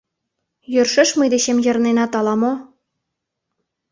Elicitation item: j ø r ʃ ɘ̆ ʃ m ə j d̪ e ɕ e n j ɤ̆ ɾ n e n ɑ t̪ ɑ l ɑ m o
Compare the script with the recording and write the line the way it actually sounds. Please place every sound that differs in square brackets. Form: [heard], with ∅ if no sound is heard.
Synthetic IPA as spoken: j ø r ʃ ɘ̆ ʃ m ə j d̪ e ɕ e [m] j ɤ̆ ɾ n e n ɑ t̪ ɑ l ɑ m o